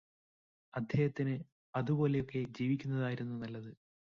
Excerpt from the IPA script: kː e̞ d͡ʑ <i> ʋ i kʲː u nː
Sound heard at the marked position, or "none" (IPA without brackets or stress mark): iː